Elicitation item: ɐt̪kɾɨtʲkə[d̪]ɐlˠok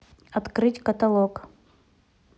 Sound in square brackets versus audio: incorrect: t̪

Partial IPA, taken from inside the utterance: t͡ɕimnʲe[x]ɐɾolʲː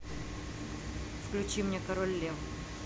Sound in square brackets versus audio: incorrect: k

